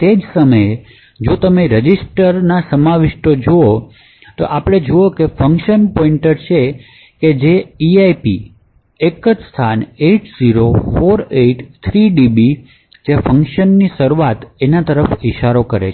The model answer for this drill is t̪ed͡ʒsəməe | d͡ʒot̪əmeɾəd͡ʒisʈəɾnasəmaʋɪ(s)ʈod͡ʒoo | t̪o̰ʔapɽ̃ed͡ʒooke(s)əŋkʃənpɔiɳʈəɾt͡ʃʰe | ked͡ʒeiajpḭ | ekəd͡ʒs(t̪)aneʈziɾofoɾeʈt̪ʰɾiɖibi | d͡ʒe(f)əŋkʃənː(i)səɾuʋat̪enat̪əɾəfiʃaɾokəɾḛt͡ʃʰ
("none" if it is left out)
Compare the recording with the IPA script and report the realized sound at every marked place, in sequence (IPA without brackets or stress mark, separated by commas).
ʃ, f, t̪ʰ, f, i